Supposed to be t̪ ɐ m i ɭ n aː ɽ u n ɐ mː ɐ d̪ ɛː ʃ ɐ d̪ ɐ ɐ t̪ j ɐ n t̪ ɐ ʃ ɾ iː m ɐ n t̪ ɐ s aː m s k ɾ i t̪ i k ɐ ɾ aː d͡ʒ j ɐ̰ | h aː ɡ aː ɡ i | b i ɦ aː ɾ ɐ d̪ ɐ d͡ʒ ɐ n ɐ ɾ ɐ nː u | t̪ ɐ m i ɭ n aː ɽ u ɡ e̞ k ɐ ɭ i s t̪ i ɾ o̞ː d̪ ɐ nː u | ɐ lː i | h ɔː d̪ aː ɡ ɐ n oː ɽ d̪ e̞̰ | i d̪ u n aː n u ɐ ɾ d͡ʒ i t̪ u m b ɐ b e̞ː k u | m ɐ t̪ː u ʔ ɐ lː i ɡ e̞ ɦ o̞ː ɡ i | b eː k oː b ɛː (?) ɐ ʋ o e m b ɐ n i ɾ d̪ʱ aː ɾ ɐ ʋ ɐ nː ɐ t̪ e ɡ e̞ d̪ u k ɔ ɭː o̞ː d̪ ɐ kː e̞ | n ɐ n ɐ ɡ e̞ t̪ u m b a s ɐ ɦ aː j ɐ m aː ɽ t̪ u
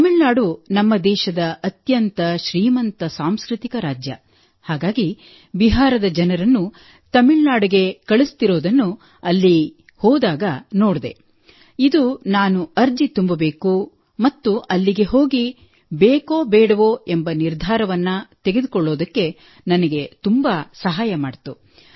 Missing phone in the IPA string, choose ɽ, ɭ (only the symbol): ɽ